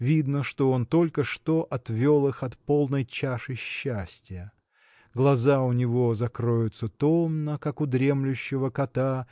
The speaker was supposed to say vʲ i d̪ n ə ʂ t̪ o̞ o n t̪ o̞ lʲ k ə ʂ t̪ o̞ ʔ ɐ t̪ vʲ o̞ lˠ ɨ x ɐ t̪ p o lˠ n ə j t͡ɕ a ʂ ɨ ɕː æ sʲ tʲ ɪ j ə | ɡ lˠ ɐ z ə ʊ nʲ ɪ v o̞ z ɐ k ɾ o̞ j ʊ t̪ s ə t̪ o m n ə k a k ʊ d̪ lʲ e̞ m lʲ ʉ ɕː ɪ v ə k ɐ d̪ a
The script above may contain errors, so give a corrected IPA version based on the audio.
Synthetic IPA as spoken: vʲ i d̪ n ə ʂ t̪ o̞ o n t̪ o̞ lʲ k ə ʂ t̪ o̞ ʔ ɐ t̪ vʲ o̞ lˠ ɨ x ɐ t̪ p o lˠ n ə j t͡ɕ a ʂ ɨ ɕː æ sʲ tʲ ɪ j ə | ɡ lˠ ɐ z a ʊ nʲ ɪ v o̞ z ɐ k ɾ o̞ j ʊ t̪ s ə t̪ o m n ə k a k ʊ d̪ ɾʲ e̞ m lʲ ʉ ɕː ɪ v ə k ɐ t̪ a